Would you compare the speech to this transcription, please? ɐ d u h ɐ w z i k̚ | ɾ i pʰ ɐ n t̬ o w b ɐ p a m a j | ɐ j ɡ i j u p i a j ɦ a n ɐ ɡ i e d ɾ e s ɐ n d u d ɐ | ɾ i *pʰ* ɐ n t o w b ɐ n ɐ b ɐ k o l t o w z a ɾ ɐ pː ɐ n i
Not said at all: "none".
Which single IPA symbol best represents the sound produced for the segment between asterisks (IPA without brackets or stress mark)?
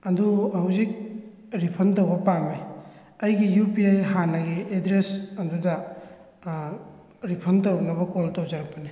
pʰ